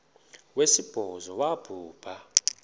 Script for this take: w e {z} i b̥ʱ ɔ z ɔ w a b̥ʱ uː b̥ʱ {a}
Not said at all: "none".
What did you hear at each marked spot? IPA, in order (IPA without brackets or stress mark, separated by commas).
s, a